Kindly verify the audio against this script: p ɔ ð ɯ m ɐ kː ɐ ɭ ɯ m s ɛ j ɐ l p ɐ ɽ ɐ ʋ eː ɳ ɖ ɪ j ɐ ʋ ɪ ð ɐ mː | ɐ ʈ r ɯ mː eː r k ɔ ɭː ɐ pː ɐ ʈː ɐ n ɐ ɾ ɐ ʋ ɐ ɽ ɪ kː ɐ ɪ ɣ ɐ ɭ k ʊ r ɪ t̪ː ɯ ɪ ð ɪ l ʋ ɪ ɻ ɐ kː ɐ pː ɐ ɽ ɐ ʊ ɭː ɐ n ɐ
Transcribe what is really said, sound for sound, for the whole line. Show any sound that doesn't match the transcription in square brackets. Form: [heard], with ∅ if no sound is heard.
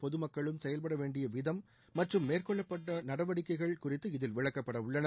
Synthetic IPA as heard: p ɔ ð ɯ m ɐ kː ɐ ɭ ɯ m s ɛ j ɐ l p ɐ ɽ ɐ ʋ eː ɳ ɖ ɪ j ɐ ʋ ɪ ð ɐ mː | ɐ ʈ r ɯ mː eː r k ɔ ɭː ɐ pː ɐ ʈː ɐ n ɐ [ɽ] ɐ ʋ ɐ ɽ ɪ kː ɐ ɪ ɣ ɐ ɭ k ʊ r ɪ t̪ː ɯ ɪ ð ɪ l ʋ ɪ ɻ ɐ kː ɐ pː ɐ ɽ ɐ ʊ ɭː ɐ n ɐ